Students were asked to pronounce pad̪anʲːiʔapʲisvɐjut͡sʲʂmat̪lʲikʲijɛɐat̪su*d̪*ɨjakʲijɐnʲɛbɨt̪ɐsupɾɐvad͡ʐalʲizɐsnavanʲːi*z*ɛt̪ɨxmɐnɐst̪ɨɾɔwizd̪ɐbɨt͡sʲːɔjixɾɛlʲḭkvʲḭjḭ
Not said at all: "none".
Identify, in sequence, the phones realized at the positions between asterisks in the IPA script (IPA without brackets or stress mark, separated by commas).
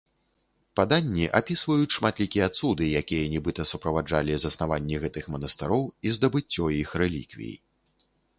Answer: d̪, ɣ